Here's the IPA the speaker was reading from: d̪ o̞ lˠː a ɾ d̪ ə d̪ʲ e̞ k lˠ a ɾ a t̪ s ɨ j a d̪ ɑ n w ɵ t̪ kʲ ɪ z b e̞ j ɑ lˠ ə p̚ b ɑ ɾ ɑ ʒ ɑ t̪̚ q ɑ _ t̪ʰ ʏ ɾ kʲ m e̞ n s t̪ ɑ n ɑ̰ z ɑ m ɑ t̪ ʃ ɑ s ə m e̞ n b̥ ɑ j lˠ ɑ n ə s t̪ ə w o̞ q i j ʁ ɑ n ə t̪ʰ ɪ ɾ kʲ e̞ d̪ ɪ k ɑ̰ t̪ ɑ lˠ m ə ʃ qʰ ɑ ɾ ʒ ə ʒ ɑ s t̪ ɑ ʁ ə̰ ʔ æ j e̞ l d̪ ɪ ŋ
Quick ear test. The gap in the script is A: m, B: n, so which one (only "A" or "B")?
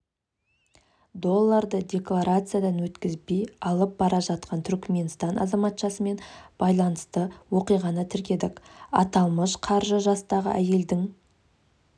B